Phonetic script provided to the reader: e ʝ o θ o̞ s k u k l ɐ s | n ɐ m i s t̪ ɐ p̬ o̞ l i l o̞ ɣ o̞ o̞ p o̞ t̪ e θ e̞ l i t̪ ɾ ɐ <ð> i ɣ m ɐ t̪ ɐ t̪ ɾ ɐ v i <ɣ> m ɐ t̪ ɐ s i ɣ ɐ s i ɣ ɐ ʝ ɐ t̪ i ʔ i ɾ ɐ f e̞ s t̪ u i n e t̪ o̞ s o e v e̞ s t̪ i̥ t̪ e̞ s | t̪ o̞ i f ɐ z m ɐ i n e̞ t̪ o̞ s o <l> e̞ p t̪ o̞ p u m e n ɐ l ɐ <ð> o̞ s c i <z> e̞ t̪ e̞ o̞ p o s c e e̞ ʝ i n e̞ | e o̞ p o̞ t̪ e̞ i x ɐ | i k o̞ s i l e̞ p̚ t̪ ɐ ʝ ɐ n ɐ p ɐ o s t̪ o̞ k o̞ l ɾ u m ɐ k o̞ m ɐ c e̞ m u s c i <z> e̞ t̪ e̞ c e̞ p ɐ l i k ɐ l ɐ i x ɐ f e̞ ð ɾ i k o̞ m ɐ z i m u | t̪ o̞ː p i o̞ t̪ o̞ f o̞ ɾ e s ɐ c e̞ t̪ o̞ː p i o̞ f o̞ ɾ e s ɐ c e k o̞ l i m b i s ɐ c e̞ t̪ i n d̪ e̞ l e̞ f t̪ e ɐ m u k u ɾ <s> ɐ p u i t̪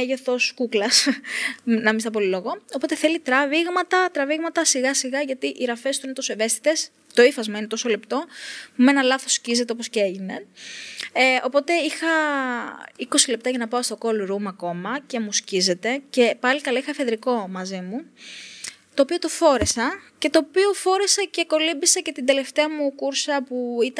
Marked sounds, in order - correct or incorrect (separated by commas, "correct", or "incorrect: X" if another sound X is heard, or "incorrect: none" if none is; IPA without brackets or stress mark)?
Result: incorrect: v, correct, correct, incorrect: θ, correct, correct, correct